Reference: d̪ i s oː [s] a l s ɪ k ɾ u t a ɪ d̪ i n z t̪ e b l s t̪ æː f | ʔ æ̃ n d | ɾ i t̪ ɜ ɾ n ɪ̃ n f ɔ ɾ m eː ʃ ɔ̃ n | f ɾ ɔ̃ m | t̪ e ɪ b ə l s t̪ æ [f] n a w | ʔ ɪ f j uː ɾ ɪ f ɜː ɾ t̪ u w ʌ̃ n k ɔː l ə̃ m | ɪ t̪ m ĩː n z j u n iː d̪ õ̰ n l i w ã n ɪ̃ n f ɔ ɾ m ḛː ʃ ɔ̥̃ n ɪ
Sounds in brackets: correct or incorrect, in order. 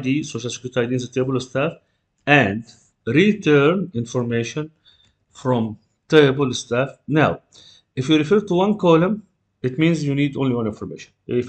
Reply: incorrect: ʃ, correct

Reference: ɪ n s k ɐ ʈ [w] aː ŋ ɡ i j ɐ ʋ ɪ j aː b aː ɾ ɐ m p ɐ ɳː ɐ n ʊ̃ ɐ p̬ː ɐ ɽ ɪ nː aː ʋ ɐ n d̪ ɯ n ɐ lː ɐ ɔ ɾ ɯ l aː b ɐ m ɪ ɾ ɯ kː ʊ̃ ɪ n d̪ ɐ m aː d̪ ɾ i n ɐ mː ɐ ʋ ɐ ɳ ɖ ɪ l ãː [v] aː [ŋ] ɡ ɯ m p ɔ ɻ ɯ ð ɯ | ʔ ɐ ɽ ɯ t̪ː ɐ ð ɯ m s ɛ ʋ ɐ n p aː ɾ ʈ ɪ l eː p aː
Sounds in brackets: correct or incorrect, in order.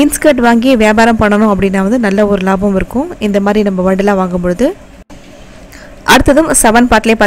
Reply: incorrect: ʋ, incorrect: ʋ, correct

